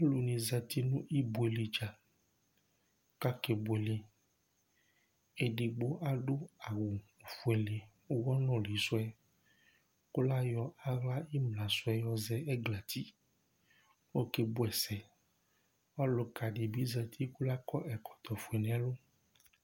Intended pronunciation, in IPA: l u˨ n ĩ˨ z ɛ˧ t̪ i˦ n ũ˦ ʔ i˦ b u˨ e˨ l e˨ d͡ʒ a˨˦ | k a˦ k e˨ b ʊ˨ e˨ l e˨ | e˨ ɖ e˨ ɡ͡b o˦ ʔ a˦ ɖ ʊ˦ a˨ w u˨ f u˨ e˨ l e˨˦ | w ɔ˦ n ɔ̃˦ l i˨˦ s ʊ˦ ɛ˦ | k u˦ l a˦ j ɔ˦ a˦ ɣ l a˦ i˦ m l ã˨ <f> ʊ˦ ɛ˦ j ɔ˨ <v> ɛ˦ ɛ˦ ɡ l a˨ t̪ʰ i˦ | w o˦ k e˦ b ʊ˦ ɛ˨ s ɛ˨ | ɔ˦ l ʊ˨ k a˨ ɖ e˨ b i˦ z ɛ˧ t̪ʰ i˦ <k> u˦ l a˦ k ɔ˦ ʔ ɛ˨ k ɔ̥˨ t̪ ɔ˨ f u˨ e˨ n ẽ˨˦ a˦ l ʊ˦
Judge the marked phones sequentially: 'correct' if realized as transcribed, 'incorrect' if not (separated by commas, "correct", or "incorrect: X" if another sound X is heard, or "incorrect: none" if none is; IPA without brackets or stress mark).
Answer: incorrect: s, incorrect: z, correct